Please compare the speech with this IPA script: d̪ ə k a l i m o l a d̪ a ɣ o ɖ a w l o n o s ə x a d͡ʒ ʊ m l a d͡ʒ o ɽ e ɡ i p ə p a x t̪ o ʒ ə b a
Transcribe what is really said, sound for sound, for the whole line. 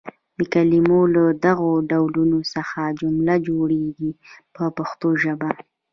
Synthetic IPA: d̪ ə k a l i m o l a d̪ a ɣ o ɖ a w l u n o s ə x a d͡ʒ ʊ m l a d͡ʒ o ɽ e ɡ i p ə p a x t̪ o ʒ ə b a